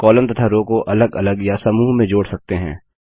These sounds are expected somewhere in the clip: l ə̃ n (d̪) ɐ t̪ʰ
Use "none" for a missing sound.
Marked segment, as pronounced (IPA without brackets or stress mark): t̪